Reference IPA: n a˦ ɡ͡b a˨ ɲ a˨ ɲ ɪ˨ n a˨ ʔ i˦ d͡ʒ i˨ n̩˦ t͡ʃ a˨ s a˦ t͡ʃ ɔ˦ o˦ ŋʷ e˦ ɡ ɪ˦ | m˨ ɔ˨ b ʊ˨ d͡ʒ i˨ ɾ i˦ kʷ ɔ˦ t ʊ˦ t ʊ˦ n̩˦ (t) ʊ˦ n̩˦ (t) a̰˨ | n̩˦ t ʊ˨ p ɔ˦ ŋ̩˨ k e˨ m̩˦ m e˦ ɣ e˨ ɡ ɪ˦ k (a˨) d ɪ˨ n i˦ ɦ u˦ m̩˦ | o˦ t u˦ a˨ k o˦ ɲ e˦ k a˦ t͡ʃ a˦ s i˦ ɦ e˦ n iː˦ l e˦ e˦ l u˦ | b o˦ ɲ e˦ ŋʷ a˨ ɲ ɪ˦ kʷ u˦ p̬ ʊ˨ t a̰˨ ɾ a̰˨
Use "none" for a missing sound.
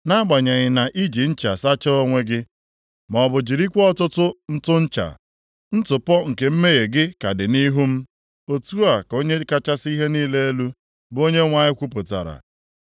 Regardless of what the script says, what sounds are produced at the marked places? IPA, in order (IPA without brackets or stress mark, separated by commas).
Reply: t, t͡ʃ, a˨